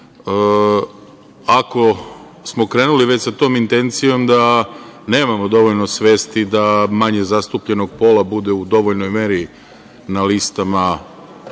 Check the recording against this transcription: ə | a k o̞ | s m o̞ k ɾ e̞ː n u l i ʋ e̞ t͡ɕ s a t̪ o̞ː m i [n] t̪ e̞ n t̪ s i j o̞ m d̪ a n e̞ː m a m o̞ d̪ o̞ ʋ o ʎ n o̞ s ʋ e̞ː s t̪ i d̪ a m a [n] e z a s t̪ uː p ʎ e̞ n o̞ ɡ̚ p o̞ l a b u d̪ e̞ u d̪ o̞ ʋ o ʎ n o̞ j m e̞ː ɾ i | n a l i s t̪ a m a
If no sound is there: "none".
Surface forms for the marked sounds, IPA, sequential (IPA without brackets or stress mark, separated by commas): n, ɲ